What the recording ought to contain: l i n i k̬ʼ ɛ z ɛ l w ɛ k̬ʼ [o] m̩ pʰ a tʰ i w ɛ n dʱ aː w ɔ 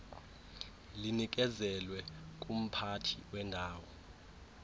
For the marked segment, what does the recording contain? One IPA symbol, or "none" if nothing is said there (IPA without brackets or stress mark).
u